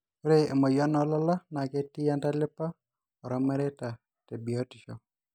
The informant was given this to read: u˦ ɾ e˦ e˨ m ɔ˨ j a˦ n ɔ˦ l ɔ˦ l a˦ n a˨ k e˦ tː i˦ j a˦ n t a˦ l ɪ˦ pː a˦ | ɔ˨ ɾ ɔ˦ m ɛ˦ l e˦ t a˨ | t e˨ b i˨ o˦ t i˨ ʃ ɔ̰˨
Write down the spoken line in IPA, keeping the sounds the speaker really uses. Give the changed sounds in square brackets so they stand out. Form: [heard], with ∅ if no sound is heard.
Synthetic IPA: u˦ ɾ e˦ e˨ m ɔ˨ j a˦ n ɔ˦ l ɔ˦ l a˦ n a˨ k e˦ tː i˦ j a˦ n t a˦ l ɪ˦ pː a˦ | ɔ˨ ɾ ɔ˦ m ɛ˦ [ɾ] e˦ t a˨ | t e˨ b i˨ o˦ t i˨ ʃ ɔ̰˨